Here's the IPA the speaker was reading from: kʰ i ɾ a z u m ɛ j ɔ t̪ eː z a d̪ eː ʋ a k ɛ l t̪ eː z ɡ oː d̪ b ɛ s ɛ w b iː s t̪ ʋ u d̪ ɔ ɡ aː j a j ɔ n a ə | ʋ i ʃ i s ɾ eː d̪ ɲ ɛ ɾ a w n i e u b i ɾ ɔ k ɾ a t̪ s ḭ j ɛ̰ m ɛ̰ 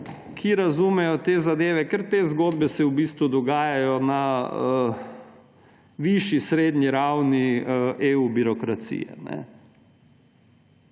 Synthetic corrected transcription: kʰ i ɾ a z u m ɛ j ɔ t̪ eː z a d̪ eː ʋ ɛ k ɛ ɾ t̪ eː z ɡ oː d̪ b ɛ s ɛ w b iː s t̪ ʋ u d̪ ɔ ɡ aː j a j ɔ n a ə | ʋ i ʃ i s ɾ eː d̪ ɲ i ɾ a w n i e u b i ɾ ɔ k ɾ a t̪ s ḭ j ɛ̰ n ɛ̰